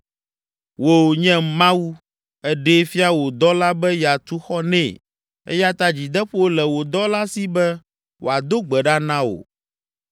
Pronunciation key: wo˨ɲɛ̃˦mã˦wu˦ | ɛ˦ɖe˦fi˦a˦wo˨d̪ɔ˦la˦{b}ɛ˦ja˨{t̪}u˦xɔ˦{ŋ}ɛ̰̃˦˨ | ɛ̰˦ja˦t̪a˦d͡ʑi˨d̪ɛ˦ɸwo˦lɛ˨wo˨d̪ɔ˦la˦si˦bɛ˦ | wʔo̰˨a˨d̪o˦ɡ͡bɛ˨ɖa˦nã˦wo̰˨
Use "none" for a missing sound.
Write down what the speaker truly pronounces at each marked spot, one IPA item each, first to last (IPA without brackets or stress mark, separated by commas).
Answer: b, t̪, n